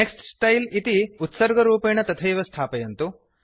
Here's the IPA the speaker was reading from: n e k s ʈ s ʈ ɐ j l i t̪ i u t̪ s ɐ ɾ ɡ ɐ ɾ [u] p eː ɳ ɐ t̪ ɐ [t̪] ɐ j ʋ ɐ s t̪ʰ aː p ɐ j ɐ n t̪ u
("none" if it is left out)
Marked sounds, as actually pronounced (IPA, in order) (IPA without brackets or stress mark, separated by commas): uː, t̪ʰ